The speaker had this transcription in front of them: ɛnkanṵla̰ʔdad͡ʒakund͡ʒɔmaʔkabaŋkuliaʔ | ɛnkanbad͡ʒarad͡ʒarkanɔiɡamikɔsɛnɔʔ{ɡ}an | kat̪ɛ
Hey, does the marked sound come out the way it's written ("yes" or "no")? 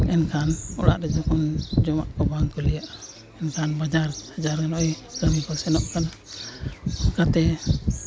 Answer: no